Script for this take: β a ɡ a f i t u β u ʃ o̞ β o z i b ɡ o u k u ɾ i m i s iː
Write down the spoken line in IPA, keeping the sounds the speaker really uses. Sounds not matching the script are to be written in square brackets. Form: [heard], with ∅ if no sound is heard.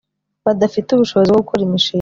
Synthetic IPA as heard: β a [d] a f i t u β u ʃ o̞ β o z i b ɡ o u k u ɾ i m i [ʃ] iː